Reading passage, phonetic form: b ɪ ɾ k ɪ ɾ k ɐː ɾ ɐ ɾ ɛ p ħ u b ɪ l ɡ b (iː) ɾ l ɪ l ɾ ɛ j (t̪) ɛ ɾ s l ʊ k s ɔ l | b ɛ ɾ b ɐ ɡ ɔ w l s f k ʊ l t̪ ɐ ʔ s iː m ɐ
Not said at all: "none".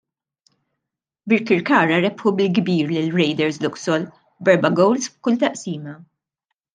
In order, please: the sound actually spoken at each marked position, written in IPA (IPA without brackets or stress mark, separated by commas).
iː, d̪